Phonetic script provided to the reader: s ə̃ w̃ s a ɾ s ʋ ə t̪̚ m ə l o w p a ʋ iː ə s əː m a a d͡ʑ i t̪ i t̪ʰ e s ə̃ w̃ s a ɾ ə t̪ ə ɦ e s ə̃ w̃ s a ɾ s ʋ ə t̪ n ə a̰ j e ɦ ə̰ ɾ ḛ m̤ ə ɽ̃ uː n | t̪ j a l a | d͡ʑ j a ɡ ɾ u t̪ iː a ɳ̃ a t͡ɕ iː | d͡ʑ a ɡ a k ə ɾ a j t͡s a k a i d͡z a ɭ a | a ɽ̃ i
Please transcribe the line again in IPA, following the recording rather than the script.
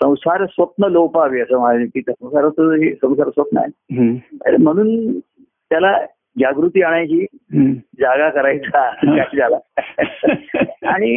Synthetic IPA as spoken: s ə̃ w̃ s a ɾ s ʋ ə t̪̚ n ə l o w p a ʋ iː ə s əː m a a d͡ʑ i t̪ i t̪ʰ a s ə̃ w̃ s a ɾ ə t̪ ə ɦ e s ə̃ w̃ s a ɾ s ʋ ə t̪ n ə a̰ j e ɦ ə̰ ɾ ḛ m̤ ə ɽ̃ uː n | t̪ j a l a | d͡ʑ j a ɡ ɾ u t̪ iː a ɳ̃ a t͡ɕ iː | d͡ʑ a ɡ a k ə ɾ a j t͡s a k a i d͡z a l a | a ɽ̃ i